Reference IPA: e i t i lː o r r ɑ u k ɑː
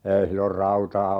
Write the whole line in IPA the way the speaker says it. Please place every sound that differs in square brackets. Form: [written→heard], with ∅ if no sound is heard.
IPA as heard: e i [t→s] i lː o r r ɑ u [k→t] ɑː